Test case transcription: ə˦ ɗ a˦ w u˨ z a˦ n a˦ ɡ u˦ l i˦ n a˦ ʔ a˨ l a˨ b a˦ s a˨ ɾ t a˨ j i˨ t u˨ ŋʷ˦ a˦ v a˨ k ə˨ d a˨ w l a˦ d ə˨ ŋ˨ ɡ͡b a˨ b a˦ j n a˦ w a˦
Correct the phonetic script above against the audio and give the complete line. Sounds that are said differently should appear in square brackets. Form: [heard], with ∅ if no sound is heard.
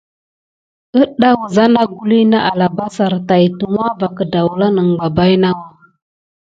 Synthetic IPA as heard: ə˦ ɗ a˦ w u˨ z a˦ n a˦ ɡ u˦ l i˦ n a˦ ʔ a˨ l a˨ b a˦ s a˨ ɾ t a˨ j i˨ t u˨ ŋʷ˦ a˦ v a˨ k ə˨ d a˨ w l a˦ [n] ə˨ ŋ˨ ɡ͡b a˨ b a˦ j n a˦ w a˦